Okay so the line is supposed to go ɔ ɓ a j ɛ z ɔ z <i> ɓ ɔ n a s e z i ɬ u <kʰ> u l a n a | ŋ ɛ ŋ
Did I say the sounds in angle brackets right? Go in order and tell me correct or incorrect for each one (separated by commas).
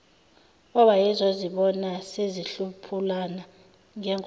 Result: correct, incorrect